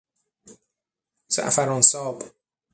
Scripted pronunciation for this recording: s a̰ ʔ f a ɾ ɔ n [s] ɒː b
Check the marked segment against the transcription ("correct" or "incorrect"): correct